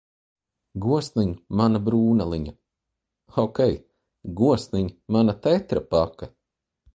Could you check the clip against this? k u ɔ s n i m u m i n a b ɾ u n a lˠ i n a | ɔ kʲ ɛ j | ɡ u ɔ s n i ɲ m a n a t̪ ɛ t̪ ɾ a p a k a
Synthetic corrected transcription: ɡ u ɔ s n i ɲ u m a n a b ɾ uː n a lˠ i ɲ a | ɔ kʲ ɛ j | ɡ u ɔ s n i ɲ m a n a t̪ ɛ t̪ ɾ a p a k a